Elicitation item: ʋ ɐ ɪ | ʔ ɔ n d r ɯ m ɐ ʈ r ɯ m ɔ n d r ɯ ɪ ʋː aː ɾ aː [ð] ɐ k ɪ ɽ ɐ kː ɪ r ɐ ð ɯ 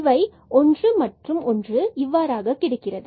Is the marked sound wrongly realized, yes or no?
yes